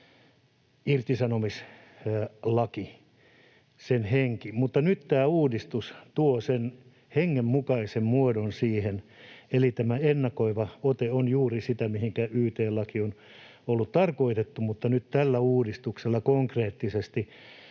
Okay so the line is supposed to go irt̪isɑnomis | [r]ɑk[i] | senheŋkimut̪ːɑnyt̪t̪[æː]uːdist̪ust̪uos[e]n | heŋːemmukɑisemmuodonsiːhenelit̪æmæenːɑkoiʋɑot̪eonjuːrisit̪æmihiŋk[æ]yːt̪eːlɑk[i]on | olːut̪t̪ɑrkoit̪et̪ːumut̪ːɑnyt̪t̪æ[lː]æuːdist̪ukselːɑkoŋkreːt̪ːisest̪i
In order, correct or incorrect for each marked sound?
incorrect: l, correct, correct, correct, correct, correct, correct

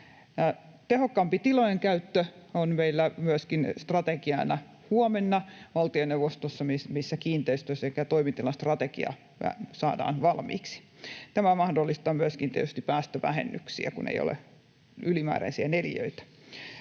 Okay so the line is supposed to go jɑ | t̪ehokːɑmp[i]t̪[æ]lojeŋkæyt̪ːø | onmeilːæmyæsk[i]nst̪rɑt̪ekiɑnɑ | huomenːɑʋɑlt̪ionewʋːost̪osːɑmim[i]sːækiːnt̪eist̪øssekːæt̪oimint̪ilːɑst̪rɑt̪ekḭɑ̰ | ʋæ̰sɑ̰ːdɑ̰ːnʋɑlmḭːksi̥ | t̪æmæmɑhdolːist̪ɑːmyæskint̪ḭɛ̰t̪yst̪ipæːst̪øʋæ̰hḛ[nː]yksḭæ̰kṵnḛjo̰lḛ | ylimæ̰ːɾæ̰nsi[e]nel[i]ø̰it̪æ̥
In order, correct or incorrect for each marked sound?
correct, incorrect: i, correct, correct, correct, incorrect: æ, incorrect: j

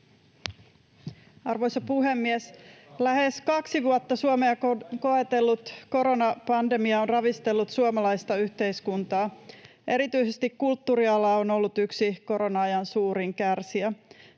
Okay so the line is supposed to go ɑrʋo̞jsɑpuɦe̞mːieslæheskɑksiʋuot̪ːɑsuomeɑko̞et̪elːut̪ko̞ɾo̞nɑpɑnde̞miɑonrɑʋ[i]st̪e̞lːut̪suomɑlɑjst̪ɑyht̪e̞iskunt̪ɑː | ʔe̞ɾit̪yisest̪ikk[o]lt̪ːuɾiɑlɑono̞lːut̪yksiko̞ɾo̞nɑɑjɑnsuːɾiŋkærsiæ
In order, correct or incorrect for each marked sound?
correct, incorrect: u

